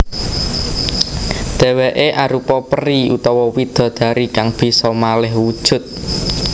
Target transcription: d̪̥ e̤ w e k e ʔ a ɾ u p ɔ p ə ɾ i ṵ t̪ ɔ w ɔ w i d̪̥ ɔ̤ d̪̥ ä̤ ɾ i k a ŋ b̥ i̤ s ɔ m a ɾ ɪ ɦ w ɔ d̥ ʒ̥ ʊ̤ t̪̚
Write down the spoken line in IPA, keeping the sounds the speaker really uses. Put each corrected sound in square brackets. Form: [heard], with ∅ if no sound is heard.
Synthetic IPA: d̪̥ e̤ w e [ʔ] e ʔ a ɾ u p ɔ p ə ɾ i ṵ t̪ ɔ w ɔ w i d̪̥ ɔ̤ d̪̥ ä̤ ɾ i k a ŋ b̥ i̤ s ɔ m a [l] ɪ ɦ w [u] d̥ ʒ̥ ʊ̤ t̪̚

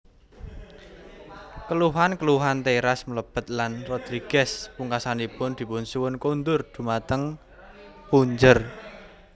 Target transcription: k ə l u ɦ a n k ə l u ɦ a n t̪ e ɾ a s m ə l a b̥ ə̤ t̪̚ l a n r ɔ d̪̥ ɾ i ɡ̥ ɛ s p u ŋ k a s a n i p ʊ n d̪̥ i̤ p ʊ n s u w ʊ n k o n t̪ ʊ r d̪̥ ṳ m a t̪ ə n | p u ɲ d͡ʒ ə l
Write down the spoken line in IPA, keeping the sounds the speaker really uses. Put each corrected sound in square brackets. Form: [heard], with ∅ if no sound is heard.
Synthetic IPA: k ə l u ɦ a n k ə l u ɦ a n t̪ e ɾ a s m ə l [ə] b̥ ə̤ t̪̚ l a n r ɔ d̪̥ ɾ i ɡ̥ ɛ s p u ŋ k a s a n i p ʊ n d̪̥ i̤ p ʊ n s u w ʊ n k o n [d̪] ʊ r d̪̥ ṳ m a t̪ ə [ŋ] | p u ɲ d͡ʒ ə [r]

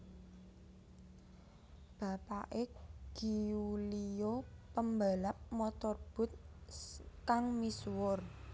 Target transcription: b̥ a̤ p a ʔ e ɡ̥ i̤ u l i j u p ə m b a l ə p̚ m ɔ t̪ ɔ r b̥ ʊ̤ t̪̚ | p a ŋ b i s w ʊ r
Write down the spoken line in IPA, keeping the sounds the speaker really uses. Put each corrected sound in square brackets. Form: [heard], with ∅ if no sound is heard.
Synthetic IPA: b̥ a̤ p a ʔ e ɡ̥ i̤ u l i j [o] p ə m b a l [a] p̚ m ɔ t̪ ɔ r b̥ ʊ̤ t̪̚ | [k] a ŋ [m] i s w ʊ r

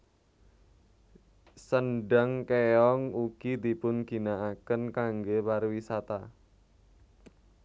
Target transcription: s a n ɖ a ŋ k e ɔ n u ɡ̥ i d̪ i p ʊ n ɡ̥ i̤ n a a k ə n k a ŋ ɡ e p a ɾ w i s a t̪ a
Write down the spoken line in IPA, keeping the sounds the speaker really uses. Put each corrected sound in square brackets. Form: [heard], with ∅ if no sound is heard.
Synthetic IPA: s [ə] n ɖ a ŋ k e ɔ [ŋ] u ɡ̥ i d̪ i p ʊ n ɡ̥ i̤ n a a k ə n k a ŋ ɡ e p a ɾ w i s a t̪ a

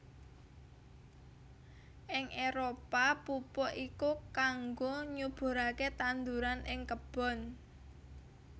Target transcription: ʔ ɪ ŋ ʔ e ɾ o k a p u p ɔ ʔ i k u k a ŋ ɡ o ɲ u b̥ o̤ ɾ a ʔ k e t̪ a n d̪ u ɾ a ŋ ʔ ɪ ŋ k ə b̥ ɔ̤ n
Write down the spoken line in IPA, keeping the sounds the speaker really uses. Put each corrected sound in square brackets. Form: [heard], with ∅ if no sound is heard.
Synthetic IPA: ʔ ɪ ŋ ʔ e ɾ o [p] a p u p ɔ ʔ i k u k a ŋ ɡ o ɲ u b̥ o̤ ɾ a [∅] k e t̪ a n d̪ u ɾ a [n] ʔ ɪ ŋ k ə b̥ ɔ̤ n

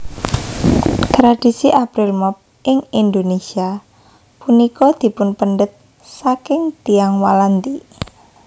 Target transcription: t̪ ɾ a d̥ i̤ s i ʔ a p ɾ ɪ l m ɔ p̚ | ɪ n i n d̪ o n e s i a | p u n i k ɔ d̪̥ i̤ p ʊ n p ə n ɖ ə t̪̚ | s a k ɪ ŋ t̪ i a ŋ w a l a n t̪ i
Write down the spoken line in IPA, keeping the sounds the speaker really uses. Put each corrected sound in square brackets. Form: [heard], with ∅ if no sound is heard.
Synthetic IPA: t̪ ɾ a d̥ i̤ s i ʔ a p ɾ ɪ l m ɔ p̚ | ɪ [ŋ] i n d̪ o n e s i a | p u n i k ɔ d̪̥ i̤ p ʊ n p ə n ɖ ə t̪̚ | s a k ɪ ŋ t̪ i a ŋ w a l a n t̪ i

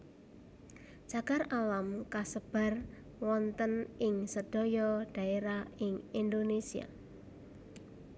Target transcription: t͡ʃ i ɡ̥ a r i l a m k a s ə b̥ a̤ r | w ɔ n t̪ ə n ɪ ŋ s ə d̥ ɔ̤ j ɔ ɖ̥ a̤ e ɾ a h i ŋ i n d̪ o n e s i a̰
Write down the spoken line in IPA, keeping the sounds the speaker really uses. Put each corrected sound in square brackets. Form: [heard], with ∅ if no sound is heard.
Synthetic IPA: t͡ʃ [a] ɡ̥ a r [a] l a m k a s ə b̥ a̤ r | w ɔ n t̪ ə n ɪ ŋ s ə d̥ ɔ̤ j ɔ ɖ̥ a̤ e ɾ a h [ɪ] ŋ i n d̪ o n e s i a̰

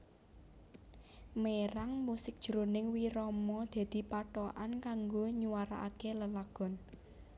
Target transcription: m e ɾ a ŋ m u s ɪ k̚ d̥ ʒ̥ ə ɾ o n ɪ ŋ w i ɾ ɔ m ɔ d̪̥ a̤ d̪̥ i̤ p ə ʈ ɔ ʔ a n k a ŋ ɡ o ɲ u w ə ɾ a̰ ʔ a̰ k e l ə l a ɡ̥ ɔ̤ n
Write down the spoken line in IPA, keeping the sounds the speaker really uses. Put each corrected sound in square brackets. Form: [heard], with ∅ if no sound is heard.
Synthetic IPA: m e ɾ a ŋ m u s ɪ k̚ d̥ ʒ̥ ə ɾ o n ɪ ŋ w i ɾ ɔ m ɔ d̪̥ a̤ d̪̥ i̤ p [a] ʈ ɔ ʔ a n k a ŋ ɡ o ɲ u w [a] ɾ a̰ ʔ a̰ k e l ə l a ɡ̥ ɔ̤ n

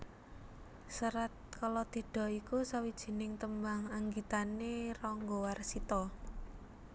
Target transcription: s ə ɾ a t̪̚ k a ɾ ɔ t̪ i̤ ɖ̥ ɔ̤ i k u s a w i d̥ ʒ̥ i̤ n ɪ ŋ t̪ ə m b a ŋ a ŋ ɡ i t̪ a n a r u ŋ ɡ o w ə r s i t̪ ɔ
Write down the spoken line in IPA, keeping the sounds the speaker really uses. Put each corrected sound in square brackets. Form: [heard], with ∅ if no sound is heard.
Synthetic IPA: s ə ɾ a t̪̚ k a [l] ɔ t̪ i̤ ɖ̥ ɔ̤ i k u s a w i d̥ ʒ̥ i̤ n ɪ ŋ t̪ ə m b a ŋ a ŋ ɡ i t̪ a n [e] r [ɔ] ŋ ɡ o w [a] r s i t̪ ɔ

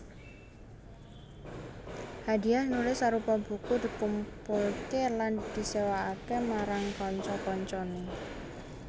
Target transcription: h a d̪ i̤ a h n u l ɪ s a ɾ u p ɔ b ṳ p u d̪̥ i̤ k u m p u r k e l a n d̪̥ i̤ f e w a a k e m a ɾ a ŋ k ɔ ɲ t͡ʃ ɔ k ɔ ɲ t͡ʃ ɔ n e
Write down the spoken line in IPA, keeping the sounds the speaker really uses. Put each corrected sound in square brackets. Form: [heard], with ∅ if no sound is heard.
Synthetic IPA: h a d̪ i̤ a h n u l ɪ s a ɾ u p ɔ b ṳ [k] u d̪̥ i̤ k u m p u [l] k e l a n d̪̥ i̤ [s] e w a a k e m a ɾ a ŋ k ɔ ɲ t͡ʃ ɔ k ɔ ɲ t͡ʃ ɔ n e

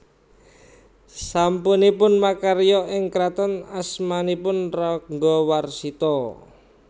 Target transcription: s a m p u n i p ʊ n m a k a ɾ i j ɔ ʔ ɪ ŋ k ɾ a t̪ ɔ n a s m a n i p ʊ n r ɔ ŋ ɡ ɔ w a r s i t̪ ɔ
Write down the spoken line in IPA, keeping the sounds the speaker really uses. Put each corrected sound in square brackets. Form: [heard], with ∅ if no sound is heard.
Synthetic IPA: s a m p u n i p ʊ n m a k a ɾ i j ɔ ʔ ɪ ŋ k ɾ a t̪ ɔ n a s m a n i p ʊ n r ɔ ŋ ɡ ɔ w a r s i t̪ ɔ

